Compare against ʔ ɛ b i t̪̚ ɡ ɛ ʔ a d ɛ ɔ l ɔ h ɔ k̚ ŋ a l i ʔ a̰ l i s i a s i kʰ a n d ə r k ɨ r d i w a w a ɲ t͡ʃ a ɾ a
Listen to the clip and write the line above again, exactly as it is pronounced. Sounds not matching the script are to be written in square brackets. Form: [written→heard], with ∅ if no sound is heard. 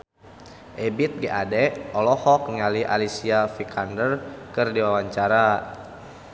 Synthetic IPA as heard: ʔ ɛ b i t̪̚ ɡ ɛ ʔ a d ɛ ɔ l ɔ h ɔ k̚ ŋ a l i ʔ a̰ l i s i a [s→f] i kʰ a n d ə r k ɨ r d i w a w a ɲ t͡ʃ a ɾ a